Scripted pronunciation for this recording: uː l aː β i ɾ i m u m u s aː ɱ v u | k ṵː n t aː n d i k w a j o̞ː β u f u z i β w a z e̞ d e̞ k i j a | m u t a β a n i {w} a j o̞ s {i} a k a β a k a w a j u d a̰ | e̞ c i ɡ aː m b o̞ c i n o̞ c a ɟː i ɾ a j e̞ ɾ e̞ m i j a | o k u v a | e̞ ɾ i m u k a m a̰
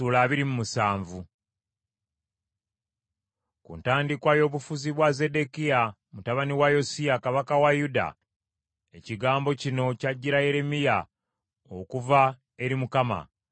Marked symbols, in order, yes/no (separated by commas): yes, yes